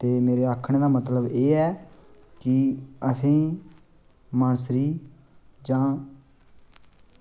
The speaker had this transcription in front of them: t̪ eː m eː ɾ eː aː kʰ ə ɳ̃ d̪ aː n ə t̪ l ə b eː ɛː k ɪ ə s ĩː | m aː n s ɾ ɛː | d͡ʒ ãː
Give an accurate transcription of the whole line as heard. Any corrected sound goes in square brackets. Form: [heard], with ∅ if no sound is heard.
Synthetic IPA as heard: t̪ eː m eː ɾ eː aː kʰ ə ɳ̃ d̪ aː [m] ə t̪ l ə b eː ɛː k ɪ ə s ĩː | m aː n s ɾ [iː] | d͡ʒ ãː